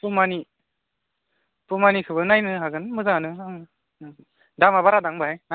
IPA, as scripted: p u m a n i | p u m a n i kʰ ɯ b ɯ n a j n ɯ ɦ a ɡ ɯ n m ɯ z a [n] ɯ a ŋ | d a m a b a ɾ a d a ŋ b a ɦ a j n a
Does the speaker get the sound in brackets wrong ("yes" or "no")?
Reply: no